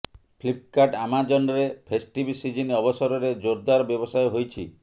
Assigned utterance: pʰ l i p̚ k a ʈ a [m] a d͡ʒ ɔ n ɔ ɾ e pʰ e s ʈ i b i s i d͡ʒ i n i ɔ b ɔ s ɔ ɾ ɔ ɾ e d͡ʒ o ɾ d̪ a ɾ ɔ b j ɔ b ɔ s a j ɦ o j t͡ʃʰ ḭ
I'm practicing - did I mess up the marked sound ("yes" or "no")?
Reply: no